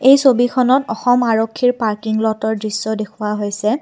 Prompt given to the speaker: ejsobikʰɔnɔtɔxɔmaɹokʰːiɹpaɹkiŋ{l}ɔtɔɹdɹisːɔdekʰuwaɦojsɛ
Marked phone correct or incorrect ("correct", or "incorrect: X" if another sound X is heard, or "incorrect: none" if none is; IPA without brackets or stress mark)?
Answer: correct